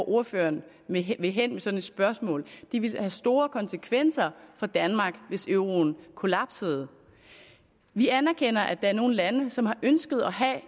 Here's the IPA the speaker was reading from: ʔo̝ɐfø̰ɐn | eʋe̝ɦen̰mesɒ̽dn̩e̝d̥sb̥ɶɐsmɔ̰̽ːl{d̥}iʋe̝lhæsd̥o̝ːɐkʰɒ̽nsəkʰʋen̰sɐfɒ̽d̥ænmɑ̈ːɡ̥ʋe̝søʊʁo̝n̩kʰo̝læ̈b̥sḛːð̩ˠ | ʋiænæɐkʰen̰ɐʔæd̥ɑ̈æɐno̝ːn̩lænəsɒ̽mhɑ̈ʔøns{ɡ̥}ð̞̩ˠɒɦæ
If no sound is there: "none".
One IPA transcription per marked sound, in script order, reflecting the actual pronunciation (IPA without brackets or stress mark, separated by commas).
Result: d̥, ɡ̥